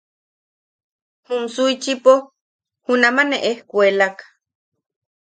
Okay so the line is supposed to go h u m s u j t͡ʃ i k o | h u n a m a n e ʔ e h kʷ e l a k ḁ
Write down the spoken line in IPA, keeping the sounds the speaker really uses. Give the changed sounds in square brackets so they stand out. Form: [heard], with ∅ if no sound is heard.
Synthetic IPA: h u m s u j t͡ʃ i [p] o | h u n a m a n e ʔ e h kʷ e l a k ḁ